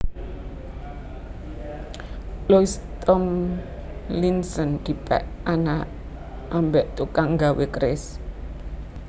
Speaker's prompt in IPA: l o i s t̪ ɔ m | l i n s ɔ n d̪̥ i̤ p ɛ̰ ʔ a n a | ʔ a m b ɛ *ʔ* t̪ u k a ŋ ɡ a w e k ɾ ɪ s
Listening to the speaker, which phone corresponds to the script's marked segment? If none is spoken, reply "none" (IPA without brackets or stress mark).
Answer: ʔ